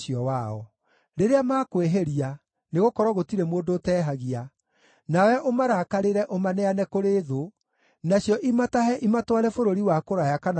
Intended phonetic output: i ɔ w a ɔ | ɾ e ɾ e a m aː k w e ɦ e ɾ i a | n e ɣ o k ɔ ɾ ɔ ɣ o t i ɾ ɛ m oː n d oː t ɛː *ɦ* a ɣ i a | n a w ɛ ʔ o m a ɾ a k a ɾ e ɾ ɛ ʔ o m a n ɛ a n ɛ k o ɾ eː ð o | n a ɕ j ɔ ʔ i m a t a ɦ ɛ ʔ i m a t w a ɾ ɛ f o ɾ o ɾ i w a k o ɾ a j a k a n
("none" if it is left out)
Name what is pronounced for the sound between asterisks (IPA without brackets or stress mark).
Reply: ɦ